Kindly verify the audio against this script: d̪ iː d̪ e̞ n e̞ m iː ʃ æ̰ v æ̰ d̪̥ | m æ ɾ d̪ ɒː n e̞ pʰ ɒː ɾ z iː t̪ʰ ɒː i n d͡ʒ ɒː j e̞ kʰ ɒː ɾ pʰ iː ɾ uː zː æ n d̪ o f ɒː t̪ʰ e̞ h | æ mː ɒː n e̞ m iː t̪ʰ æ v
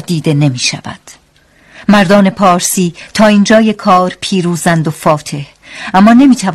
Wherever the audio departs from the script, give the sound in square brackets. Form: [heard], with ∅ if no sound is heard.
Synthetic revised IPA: d̪ iː d̪ e̞ n e̞ m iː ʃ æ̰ v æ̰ d̪̥ | m æ ɾ d̪ ɒː n e̞ pʰ ɒː ɾ [s] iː t̪ʰ ɒː i n d͡ʒ ɒː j e̞ kʰ ɒː ɾ pʰ iː ɾ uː [z] æ n d̪ o f ɒː t̪ʰ e̞ h | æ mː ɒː n e̞ m iː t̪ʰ æ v